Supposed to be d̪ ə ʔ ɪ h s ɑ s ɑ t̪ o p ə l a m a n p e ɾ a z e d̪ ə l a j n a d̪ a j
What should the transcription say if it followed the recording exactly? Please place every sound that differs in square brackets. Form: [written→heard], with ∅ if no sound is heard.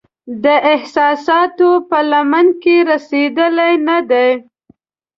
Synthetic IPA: d̪ ə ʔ ɪ h s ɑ s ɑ t̪ o p ə l a m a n [p→k] e ɾ a [z→s] e d̪ ə l a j n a d̪ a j